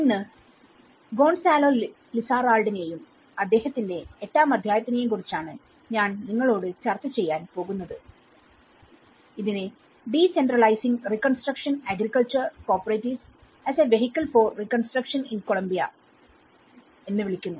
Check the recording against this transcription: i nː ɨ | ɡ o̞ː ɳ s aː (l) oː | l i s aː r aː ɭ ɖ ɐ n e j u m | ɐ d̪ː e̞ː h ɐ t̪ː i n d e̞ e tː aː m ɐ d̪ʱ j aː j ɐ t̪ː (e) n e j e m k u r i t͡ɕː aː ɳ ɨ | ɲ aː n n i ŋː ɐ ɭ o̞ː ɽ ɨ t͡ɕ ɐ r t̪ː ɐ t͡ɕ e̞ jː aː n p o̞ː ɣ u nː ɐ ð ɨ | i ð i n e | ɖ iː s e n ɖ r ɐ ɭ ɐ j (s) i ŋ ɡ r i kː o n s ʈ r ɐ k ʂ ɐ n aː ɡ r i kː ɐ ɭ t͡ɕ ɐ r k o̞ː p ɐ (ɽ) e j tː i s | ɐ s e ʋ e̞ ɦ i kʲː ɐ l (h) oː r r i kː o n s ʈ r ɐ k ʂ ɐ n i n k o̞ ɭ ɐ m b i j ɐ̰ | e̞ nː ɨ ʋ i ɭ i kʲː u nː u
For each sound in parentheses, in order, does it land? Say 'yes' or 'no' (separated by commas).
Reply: yes, no, yes, no, no